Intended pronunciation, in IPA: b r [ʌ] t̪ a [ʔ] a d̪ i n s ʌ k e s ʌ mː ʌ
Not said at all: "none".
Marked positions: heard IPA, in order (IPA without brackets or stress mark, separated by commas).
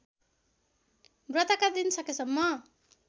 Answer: ʌ, k